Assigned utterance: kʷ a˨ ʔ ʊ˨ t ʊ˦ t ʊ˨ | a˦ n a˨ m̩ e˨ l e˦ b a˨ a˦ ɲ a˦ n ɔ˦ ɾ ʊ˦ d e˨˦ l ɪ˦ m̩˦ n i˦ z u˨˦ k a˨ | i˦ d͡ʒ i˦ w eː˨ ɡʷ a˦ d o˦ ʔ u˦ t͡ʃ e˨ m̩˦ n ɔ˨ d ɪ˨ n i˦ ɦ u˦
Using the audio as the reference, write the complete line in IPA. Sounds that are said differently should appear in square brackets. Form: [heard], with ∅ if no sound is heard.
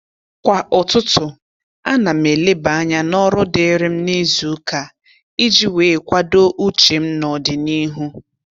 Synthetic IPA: kʷ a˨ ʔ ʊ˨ t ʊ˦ t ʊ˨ | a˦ n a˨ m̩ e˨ l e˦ b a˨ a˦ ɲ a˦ n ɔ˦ ɾ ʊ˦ d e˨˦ [ɾ] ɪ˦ m̩˦ n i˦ z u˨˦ k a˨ | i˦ d͡ʒ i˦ w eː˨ [kʷ] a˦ d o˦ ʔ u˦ t͡ʃ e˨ m̩˦ n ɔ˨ d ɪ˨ n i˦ ɦ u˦

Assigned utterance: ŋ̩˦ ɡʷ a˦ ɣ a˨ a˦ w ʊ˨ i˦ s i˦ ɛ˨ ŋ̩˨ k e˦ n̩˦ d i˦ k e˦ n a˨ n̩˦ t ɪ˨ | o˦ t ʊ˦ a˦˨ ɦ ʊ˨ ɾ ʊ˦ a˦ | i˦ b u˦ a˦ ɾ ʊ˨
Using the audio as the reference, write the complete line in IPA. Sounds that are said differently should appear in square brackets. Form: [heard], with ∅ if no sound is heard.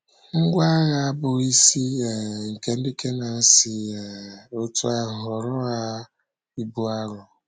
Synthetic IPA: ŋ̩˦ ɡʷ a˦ ɣ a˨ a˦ [b] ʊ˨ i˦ s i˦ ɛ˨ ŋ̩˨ k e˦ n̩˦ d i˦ k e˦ n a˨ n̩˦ [s] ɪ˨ | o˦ t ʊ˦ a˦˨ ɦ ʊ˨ ɾ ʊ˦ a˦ | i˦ b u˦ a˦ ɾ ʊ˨

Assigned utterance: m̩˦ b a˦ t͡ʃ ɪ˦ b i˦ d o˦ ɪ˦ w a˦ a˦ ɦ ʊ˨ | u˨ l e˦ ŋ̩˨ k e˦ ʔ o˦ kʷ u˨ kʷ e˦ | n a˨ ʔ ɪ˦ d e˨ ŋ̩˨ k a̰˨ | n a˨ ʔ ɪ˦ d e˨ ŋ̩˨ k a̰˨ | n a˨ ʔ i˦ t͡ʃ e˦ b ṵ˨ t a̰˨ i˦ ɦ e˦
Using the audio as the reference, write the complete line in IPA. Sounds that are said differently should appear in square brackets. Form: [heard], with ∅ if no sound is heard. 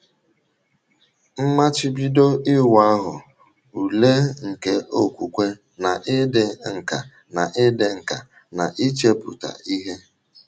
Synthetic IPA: m̩˦ [m] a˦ t͡ʃ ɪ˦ b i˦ d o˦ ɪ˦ w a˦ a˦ ɦ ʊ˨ | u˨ l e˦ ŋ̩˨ k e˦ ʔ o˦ kʷ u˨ kʷ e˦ | n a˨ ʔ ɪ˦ d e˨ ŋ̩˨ k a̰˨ | n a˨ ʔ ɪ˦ d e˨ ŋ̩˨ k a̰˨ | n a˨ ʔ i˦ t͡ʃ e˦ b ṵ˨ t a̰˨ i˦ ɦ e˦

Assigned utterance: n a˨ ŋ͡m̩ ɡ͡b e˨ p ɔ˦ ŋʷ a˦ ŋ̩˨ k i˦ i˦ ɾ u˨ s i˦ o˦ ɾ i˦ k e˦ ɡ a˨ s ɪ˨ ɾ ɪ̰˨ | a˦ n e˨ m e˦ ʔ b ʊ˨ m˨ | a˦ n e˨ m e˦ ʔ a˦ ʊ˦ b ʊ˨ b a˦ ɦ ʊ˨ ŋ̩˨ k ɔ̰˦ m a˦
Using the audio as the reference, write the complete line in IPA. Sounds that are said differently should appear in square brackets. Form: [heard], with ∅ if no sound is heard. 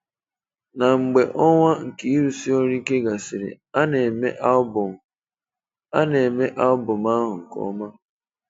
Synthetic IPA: n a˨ ŋ͡m̩ ɡ͡b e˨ [ʔ] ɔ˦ ŋʷ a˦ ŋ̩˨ k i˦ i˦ ɾ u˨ s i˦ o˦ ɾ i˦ k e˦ ɡ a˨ s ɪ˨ ɾ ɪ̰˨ | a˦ n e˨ m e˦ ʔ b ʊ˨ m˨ | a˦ n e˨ m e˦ ʔ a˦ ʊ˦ b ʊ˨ [m] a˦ ɦ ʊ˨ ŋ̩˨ k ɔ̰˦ m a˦

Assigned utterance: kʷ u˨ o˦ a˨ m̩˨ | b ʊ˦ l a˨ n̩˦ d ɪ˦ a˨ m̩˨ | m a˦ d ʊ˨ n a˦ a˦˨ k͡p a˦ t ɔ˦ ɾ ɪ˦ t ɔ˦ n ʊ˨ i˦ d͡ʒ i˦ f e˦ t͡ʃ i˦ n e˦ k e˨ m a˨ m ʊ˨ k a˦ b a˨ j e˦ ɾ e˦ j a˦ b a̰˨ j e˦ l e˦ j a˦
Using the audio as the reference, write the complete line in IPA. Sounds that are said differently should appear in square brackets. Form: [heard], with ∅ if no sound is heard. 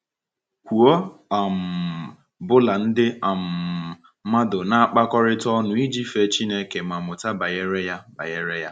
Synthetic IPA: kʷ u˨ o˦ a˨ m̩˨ | b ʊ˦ l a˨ n̩˦ d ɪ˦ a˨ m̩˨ | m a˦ d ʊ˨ n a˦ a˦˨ k͡p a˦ [k] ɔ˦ ɾ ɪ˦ t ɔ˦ n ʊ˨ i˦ d͡ʒ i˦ f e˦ t͡ʃ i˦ n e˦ k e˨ m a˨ m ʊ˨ [t] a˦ b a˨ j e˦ ɾ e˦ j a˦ b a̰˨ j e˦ [ɾ] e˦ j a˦

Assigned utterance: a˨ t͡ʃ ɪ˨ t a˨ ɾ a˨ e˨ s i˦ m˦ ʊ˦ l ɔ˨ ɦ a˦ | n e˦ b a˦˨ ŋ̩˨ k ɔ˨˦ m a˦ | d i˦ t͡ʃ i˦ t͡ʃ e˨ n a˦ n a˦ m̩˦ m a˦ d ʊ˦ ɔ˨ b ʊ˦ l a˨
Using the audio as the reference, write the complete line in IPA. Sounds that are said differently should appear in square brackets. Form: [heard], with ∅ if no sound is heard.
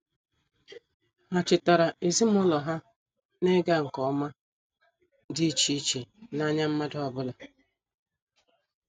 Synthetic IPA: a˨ t͡ʃ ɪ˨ t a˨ ɾ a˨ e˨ [z] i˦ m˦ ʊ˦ l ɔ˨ ɦ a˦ | n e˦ [ɡ] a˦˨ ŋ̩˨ k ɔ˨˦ m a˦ | d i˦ t͡ʃ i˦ t͡ʃ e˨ n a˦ [ɲ] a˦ m̩˦ m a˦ d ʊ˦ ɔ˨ b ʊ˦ l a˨

